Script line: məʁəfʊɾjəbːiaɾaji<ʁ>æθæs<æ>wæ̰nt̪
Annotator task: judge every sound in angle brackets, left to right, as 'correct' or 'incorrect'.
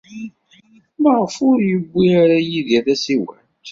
incorrect: ð, incorrect: i

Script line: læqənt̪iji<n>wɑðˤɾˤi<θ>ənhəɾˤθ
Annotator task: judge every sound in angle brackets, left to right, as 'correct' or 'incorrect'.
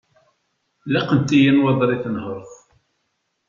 correct, correct

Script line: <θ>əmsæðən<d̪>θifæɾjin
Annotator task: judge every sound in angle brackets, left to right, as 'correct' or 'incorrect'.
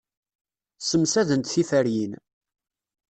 incorrect: s, incorrect: t̪

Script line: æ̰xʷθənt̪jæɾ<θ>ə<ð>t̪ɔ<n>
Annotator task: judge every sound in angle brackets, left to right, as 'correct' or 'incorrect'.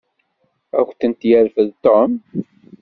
incorrect: f, correct, incorrect: m

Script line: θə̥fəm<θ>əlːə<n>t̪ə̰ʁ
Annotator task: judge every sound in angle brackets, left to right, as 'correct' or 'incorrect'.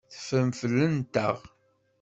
incorrect: f, correct

